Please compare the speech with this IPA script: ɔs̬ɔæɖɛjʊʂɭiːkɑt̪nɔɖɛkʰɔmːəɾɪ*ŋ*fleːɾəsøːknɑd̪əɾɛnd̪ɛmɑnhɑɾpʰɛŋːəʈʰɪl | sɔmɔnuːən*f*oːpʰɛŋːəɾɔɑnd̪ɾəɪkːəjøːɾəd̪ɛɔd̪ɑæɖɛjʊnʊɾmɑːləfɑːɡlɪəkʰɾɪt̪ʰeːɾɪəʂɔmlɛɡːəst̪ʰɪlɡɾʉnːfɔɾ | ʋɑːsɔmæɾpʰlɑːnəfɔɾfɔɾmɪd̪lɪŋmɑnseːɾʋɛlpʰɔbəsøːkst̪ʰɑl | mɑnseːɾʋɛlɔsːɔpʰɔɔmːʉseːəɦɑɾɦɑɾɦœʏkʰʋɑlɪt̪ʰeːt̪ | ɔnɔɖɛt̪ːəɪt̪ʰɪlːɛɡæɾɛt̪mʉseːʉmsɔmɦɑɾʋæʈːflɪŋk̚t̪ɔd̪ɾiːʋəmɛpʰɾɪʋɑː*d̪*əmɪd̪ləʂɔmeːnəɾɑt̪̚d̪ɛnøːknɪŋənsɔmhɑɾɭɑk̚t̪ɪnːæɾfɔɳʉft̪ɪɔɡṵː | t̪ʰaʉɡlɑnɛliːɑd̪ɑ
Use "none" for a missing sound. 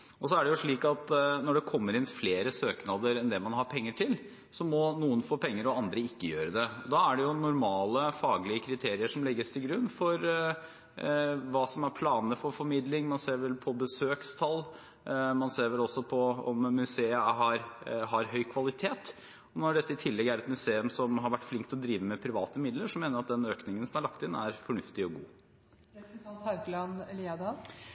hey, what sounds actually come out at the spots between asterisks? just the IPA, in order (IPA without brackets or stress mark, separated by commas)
n, f, t̪